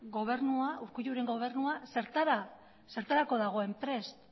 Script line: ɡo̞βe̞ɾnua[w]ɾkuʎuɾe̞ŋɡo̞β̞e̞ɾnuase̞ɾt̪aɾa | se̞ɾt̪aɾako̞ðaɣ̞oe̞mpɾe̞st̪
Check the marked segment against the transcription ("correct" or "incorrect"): incorrect